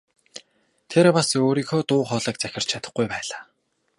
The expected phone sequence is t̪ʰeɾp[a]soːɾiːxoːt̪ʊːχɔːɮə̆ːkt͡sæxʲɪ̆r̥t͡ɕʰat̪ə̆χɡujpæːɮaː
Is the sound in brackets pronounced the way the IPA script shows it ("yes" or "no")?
yes